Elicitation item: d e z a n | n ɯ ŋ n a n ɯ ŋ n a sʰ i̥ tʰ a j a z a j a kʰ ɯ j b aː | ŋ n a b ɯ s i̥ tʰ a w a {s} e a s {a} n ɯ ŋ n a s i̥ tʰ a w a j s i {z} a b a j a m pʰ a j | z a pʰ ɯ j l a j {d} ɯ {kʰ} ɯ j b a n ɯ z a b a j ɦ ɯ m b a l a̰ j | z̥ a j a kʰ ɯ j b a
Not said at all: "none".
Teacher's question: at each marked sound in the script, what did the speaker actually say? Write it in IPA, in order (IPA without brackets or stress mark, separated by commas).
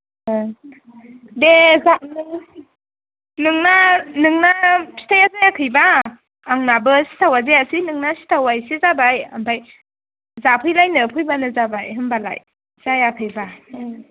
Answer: z, i, z, n, pʰ